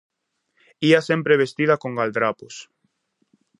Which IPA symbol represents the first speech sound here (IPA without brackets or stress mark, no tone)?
i